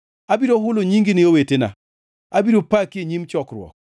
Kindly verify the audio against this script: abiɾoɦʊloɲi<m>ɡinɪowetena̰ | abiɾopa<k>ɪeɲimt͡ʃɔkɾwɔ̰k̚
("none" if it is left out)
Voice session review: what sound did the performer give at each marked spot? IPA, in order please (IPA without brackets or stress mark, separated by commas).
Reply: ŋ, k